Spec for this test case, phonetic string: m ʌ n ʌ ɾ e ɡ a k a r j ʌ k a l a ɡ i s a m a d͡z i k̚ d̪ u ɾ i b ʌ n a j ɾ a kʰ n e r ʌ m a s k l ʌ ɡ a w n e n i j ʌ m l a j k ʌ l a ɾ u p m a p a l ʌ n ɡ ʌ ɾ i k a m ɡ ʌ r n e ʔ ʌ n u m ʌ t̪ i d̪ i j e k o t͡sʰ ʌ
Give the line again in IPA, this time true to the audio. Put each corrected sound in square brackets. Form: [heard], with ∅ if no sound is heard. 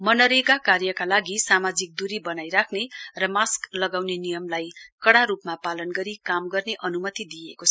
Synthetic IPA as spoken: m ʌ n ʌ ɾ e ɡ a k a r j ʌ k a l a ɡ i s a m a d͡z i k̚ d̪ u ɾ i b ʌ n a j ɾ a kʰ n e r ʌ m a s k l ʌ ɡ a w n e n i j ʌ m l a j k ʌ [ɽ] a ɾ u p m a p a l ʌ n ɡ ʌ ɾ i k a m ɡ ʌ r n e ʔ ʌ n u m ʌ t̪ i d̪ i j e k o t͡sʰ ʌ